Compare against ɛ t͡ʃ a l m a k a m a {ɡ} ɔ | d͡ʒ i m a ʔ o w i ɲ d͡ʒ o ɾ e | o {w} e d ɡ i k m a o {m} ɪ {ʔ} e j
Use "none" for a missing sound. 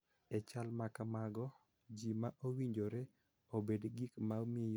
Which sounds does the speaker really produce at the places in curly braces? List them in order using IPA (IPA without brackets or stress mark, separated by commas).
ɡ, b, m, none